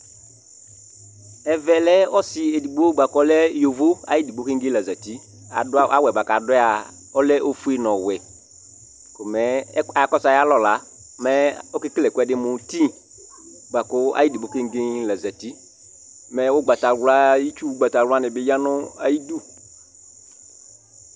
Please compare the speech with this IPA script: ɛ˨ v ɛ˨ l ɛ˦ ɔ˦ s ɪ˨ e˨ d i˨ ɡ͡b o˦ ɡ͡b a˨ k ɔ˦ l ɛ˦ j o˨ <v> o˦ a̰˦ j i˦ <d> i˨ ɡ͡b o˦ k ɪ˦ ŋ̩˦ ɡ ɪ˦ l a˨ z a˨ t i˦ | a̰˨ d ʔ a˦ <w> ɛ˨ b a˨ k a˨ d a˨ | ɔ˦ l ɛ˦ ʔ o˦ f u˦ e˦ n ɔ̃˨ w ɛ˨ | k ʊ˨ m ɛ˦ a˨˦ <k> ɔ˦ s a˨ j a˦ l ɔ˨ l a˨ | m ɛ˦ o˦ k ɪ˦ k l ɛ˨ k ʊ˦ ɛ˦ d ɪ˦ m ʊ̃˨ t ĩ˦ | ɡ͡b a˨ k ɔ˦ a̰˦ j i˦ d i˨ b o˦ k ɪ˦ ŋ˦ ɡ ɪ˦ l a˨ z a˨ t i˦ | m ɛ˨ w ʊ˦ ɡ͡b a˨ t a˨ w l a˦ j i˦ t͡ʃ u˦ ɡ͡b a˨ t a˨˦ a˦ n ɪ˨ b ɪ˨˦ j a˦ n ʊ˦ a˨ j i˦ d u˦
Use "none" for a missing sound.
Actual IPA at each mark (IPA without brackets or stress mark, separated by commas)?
v, d, w, k